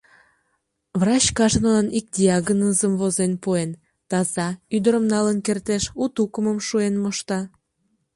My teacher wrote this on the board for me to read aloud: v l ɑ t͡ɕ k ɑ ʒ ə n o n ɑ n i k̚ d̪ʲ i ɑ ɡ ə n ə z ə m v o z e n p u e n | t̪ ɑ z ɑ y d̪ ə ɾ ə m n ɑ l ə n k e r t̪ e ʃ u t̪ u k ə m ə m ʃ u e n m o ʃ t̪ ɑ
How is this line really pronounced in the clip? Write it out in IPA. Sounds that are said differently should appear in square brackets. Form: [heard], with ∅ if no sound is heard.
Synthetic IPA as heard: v [r] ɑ t͡ɕ k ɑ ʒ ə n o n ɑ n i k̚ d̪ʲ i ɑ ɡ ə n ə z ə m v o z e n p u e n | t̪ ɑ z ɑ y d̪ ə ɾ ə m n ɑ l ə n k e r t̪ e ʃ u t̪ u k ə m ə m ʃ u e n m o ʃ t̪ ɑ

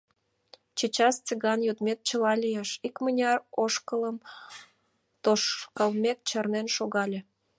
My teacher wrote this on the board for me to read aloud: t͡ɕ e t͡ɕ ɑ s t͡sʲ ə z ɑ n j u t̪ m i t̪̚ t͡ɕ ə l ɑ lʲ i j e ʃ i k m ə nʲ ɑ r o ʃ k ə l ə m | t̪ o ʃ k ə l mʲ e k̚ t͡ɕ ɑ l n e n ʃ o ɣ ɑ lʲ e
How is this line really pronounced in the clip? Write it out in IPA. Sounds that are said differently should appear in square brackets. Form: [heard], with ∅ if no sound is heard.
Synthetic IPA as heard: t͡ɕ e t͡ɕ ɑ s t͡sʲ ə [ɣ] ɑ n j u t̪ m [e] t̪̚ t͡ɕ ə l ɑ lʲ i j e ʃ i k m ə nʲ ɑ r o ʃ k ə l ə m | t̪ o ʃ k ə l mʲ e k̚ t͡ɕ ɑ [r] n e n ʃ o ɣ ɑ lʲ e

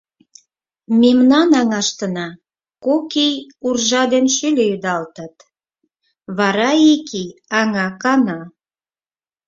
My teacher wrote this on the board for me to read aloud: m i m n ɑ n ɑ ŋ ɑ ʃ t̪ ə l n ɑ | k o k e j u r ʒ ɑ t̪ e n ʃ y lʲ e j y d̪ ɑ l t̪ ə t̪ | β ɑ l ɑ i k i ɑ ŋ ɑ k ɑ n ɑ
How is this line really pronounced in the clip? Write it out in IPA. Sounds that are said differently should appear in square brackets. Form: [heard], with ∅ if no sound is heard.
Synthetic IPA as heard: m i m n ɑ n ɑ ŋ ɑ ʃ t̪ ə [∅] n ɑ | k o k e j u r ʒ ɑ [d̪] e n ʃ y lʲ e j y d̪ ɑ l t̪ ə t̪ | β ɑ [ɾ] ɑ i k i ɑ ŋ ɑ k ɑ n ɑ

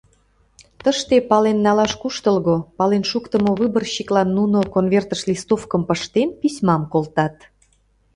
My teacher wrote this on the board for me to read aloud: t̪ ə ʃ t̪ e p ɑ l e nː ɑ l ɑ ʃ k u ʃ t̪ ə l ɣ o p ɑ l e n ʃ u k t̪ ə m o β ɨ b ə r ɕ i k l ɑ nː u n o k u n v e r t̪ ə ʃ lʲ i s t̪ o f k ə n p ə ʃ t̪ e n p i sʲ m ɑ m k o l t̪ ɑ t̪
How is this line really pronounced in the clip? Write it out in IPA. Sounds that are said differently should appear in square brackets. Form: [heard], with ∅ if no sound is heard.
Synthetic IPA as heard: t̪ ə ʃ t̪ e p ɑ l e nː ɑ l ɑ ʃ k u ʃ t̪ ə l ɣ o p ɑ l e n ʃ u k t̪ ə m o β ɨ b ə r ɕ i k l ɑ nː u n o k [o] n v e r t̪ ə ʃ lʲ i s t̪ o f k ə [m] p ə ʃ t̪ e n p i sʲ m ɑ m k o l t̪ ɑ t̪

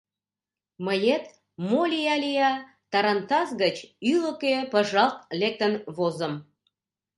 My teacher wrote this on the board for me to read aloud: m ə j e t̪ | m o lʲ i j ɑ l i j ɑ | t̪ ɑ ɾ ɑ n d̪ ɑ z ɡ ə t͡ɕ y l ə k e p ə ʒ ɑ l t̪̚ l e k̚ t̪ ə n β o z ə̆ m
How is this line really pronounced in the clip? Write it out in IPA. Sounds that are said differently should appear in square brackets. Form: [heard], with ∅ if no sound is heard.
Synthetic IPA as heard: m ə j e t̪ | m o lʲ i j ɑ l i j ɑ | t̪ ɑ ɾ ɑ n [t̪] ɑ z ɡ ə t͡ɕ y l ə k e p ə ʒ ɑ l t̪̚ l e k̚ t̪ ə n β o z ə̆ m

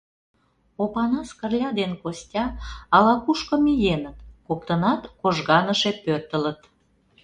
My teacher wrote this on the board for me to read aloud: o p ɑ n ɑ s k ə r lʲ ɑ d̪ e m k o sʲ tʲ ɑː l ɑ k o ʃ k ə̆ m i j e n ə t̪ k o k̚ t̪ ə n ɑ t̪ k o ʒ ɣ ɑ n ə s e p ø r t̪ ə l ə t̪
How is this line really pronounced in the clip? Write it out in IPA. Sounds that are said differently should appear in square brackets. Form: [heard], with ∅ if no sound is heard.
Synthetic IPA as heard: o p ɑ n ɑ s k ə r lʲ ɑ d̪ e [n] k o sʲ tʲ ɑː l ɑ k [u] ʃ k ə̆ m i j e n ə t̪ k o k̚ t̪ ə n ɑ t̪ k o ʒ ɣ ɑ n ə [ʃ] e p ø r t̪ ə l ə t̪

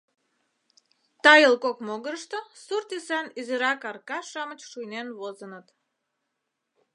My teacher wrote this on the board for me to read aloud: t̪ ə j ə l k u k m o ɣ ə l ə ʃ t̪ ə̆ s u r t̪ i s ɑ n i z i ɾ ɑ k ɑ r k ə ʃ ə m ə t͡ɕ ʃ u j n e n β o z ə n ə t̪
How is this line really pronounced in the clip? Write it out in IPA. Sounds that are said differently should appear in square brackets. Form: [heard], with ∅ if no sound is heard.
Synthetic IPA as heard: t̪ [ɑ] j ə l k [o] k m o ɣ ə [ɾ] ə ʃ t̪ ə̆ s u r t̪ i s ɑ n i z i ɾ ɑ k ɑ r k [ɑ] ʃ [ɑ] m ə t͡ɕ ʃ u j n e n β o z ə n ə t̪

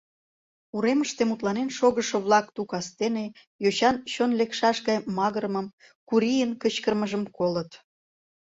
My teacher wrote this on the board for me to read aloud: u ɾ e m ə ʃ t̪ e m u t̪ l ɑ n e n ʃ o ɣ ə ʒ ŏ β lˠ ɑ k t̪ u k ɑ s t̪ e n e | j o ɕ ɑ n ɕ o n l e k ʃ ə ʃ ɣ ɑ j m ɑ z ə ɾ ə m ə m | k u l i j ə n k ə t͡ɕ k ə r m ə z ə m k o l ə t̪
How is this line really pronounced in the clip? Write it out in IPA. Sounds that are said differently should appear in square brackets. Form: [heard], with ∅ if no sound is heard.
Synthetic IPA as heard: u ɾ e m ə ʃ t̪ e m u t̪ l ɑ n e n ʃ o ɣ ə [ʃ] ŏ β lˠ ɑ k t̪ u k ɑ s t̪ e n e | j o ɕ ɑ n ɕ o n l e k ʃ [ɑ] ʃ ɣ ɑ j m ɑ [ɣ] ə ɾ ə m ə m | k u [ɾ] i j ə n k ə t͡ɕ k ə r m ə [ʒ] ə m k o l ə t̪

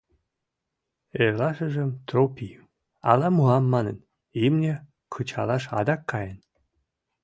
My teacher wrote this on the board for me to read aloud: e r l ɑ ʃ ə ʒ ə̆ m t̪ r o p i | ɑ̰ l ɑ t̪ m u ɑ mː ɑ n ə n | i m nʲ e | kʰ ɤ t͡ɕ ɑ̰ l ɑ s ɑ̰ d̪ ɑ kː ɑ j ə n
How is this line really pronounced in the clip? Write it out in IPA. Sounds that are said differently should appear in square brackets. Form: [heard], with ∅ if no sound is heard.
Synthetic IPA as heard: e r l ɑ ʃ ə ʒ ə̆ m t̪ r o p i | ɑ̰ l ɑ [∅] m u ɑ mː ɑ n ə n | i m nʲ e | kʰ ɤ t͡ɕ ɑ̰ l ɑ [ʃ] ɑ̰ d̪ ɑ kː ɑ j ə n

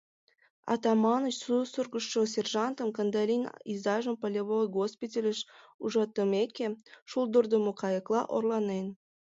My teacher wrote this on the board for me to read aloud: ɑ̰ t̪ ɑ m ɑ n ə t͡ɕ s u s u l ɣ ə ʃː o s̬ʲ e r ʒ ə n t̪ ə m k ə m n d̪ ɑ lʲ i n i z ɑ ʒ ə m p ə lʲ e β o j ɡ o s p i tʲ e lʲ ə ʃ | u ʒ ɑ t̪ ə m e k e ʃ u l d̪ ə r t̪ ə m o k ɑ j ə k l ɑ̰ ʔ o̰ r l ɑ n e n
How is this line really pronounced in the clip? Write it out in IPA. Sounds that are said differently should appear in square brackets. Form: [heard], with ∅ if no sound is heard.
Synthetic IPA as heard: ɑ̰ t̪ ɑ m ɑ n ə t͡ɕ s u s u [r] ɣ ə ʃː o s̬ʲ e r ʒ [ɑ] n t̪ ə m k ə [∅] n d̪ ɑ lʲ i n i z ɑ ʒ ə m p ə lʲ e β o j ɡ o s p i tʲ e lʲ ə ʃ | u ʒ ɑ t̪ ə m e k e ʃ u l d̪ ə r [d̪] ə m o k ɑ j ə k l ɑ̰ ʔ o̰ r l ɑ n e n

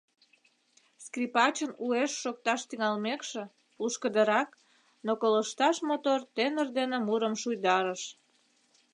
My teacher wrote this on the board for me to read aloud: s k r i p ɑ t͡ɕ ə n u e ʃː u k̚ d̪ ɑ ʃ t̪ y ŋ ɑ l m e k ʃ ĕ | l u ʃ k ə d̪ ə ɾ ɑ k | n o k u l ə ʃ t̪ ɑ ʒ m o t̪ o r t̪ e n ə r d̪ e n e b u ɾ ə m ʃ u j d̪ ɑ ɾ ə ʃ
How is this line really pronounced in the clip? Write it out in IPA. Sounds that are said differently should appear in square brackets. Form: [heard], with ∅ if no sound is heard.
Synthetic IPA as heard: s k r i p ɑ t͡ɕ ə n u e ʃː [o] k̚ [t̪] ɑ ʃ t̪ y ŋ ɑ l m e k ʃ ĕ | l u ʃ k ə d̪ ə ɾ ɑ k | n o k [o] l ə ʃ t̪ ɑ [ʃ] m o t̪ o r t̪ e n ə r d̪ e n e [m] u ɾ ə m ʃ u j d̪ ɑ ɾ ə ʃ

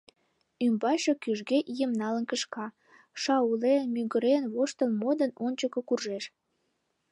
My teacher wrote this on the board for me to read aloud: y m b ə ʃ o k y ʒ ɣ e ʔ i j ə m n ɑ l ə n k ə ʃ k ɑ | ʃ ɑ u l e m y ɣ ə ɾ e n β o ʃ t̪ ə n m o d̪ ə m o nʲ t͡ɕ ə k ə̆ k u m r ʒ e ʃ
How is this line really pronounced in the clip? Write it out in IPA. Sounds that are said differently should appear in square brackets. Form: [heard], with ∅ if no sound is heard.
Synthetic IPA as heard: y m b [ɑ] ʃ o k y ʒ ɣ e ʔ i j ə m n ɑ l ə n k ə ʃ k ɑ | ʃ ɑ u l e m y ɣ ə ɾ e n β o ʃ t̪ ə n m o d̪ ə [n] o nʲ t͡ɕ ə k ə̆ k u [∅] r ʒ e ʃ

